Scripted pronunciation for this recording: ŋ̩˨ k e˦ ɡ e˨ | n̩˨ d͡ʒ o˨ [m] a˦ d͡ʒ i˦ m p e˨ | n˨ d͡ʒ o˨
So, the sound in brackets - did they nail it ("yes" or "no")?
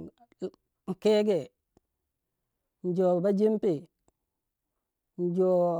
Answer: no